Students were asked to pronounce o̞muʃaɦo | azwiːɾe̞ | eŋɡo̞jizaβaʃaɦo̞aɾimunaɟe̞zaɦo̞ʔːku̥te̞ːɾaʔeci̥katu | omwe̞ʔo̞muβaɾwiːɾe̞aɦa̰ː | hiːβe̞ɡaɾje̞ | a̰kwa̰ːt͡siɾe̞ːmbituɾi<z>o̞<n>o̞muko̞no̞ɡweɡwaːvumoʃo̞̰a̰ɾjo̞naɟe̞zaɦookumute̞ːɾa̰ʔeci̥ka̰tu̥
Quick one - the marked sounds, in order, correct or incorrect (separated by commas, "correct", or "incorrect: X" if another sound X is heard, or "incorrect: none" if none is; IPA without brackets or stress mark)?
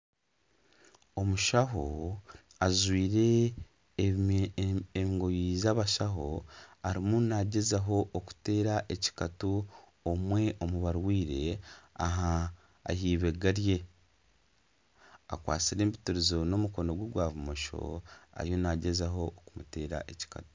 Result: correct, correct